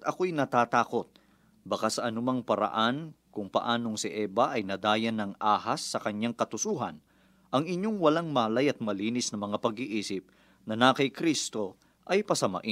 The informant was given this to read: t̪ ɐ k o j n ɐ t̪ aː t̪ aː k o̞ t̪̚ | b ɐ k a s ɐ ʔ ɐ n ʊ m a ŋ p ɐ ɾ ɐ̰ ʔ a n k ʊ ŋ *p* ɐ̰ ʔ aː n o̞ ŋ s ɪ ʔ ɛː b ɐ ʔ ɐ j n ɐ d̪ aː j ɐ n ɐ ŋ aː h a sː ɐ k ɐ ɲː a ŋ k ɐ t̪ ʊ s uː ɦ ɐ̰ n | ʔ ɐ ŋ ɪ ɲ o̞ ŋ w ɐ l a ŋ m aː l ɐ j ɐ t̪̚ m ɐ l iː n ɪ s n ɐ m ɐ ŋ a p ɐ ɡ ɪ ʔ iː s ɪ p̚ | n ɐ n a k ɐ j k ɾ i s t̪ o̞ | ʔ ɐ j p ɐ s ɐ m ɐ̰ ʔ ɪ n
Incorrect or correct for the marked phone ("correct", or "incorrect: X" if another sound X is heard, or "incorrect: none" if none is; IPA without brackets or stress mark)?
correct